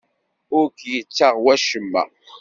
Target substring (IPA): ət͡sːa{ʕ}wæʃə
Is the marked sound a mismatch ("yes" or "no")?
yes